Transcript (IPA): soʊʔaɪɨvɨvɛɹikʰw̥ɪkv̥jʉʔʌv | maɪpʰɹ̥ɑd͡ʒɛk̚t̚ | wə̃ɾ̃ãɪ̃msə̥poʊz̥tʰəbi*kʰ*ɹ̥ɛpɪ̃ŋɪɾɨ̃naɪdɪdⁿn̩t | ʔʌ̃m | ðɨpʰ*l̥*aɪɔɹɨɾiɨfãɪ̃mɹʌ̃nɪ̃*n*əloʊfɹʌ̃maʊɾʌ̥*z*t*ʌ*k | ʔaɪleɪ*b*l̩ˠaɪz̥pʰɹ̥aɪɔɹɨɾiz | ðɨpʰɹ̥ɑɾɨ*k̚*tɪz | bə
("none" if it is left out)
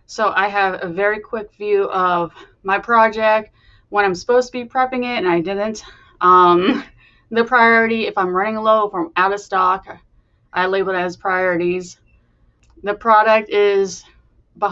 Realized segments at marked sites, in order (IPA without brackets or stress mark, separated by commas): pʰ, ɹ̥, ŋ, s, ɑ, b, k̚